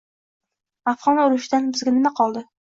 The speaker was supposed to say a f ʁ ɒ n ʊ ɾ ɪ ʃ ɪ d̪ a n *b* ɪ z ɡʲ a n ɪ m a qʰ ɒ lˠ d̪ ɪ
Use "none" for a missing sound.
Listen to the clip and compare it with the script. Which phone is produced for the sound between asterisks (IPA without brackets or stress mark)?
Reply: b